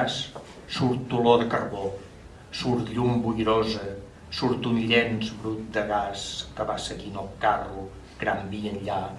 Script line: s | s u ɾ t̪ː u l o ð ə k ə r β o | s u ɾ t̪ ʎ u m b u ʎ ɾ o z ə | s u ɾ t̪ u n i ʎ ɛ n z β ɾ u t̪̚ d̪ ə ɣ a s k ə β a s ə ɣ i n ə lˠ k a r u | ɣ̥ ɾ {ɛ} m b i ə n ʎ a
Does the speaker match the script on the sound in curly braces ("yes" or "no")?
no